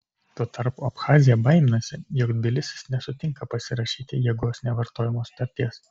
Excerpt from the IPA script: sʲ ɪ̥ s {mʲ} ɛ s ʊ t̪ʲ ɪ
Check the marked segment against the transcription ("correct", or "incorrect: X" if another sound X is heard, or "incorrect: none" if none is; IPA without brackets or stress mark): incorrect: nʲ